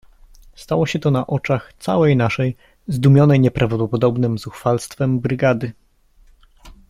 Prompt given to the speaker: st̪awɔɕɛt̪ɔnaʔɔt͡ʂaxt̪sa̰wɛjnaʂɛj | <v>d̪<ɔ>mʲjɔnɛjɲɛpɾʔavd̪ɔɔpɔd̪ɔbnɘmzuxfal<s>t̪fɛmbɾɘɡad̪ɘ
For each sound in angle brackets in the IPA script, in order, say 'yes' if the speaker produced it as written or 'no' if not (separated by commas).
no, no, yes